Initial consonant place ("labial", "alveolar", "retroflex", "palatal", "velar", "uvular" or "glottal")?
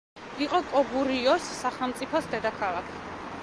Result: uvular